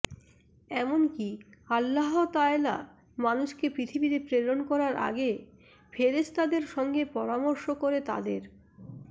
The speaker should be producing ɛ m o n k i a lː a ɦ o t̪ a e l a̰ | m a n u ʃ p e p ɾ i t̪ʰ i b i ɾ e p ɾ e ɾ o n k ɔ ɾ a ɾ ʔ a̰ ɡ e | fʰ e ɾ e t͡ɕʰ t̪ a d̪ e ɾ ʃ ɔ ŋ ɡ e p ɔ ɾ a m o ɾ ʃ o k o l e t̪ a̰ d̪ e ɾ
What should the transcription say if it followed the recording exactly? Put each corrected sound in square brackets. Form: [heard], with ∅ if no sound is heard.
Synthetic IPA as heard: ɛ m o n k i a lː a ɦ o t̪ a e l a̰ | m a n u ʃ [k] e p ɾ i t̪ʰ i b i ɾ e p ɾ e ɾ o n k ɔ ɾ a ɾ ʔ a̰ ɡ e | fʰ e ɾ e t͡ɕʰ t̪ a d̪ e ɾ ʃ ɔ ŋ ɡ e p ɔ ɾ a m o ɾ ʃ o k o [ɾ] e t̪ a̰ d̪ e ɾ